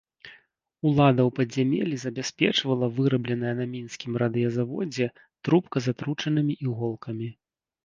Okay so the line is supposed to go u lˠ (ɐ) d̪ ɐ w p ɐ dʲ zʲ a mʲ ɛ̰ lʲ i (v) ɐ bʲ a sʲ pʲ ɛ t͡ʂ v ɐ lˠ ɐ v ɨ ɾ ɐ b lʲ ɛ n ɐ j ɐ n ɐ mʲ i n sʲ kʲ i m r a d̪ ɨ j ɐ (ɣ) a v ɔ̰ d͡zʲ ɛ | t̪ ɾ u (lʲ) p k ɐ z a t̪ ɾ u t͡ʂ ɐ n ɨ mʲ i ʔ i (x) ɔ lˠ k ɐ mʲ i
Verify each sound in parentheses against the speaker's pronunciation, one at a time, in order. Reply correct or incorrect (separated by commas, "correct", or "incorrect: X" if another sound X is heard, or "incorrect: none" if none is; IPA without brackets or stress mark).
incorrect: a, incorrect: z, incorrect: z, incorrect: none, incorrect: ɣ